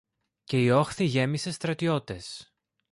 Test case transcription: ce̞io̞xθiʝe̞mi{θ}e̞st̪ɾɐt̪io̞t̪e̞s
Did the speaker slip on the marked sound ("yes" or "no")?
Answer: yes